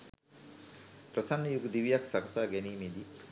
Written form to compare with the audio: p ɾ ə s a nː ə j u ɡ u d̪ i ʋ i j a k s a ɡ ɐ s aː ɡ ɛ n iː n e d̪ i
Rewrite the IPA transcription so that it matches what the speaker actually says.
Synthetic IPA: p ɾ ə s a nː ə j u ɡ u d̪ i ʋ i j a k s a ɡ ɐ s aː ɡ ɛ n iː m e d̪ i